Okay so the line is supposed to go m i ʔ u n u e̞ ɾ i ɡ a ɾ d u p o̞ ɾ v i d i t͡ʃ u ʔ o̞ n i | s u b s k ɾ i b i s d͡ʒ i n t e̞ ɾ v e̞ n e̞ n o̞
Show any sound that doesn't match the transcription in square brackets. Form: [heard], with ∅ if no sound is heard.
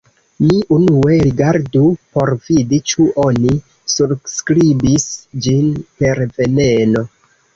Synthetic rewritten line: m i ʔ u n u e̞ ɾ i ɡ a ɾ d u p o̞ ɾ v i d i t͡ʃ u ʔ o̞ n i | s u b s k ɾ i b i s d͡ʒ i n [p] e̞ ɾ v e̞ n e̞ n o̞